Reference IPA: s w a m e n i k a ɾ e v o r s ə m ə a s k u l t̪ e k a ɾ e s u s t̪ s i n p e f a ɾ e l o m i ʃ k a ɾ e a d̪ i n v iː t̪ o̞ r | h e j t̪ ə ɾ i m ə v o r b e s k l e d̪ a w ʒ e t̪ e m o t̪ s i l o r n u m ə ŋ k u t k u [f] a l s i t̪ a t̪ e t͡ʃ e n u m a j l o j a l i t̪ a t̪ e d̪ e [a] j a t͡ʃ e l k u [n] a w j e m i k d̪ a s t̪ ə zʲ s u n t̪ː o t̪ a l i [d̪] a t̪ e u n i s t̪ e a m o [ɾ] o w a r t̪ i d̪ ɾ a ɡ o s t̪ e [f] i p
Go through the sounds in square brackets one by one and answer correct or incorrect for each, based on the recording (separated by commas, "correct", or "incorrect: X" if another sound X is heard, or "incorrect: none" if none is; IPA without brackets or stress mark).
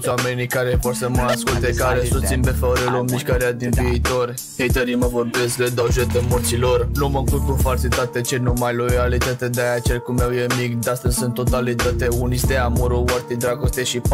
correct, correct, incorrect: m, incorrect: t̪, correct, incorrect: ʃ